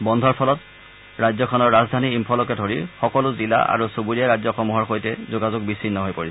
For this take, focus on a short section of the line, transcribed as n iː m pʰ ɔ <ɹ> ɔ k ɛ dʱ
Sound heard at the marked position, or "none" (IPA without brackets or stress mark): l